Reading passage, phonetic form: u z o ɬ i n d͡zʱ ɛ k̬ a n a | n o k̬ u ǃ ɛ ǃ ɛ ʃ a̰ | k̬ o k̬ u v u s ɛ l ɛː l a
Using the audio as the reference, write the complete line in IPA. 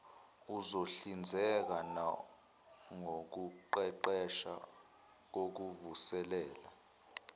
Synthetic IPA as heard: u z o ɬ i n d͡zʱ ɛ k̬ a n a | ŋ o k̬ u ǃ ɛ ǃ ɛ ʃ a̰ | k̬ o k̬ u v u s ɛ l ɛː l a